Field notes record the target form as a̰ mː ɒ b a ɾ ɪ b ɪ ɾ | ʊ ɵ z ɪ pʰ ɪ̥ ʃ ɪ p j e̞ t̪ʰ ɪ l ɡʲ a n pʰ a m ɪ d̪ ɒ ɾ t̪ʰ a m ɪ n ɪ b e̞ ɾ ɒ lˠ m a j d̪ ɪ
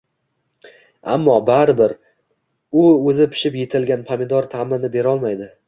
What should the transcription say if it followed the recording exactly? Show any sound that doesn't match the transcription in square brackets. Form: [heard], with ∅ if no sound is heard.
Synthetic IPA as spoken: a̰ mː ɒ b a ɾ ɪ b ɪ ɾ | ʊ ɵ z ɪ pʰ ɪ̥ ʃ ɪ p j e̞ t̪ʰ ɪ l ɡʲ a n pʰ a m ɪ d̪ ɒ ɾ t̪ʰ a m ɪ n ɪ b e̞ ɾ ɒ lˠ m a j d̪ ɪ